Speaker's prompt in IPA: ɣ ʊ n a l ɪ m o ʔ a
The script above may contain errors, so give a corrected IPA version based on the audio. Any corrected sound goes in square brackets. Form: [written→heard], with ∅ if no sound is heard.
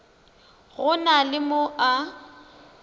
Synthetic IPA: ɣ ʊ n a l ɪ m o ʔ a